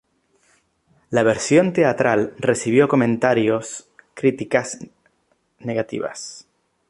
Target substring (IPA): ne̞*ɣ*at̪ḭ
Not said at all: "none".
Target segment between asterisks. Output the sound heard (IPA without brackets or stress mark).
ɣ